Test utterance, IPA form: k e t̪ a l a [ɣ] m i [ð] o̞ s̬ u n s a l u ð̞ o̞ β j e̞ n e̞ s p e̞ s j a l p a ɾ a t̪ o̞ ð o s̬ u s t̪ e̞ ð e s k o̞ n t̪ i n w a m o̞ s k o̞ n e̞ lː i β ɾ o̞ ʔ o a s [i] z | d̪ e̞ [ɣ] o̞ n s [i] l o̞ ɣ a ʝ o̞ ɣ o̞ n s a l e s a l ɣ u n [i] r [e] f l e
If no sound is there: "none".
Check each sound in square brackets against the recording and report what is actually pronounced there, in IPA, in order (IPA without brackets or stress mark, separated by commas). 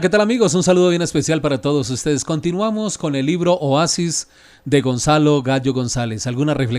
none, ɣ, i, ɣ, a, a, e